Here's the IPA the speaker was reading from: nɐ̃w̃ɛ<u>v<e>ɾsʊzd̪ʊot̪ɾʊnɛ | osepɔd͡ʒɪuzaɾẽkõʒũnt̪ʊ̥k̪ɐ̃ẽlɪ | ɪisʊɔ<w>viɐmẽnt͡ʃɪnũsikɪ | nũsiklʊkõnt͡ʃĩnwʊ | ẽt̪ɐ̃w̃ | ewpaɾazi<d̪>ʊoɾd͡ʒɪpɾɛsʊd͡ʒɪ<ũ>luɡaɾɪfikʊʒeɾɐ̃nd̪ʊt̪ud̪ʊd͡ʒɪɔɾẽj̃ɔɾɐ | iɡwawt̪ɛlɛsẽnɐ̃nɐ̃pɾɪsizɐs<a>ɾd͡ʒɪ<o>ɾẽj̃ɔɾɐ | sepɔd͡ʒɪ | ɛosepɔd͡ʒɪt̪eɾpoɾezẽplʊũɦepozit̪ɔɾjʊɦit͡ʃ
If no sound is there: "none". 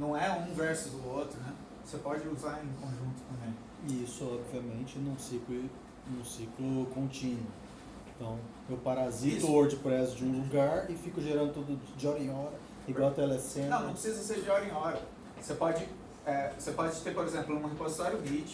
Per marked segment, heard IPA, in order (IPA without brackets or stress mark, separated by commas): ũ, ɛ, b, t̪, ũ, e, ɔ